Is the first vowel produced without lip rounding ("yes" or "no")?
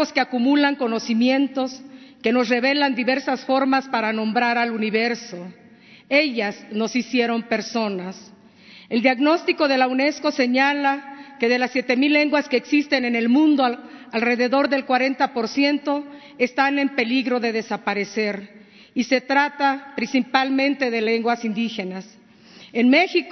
no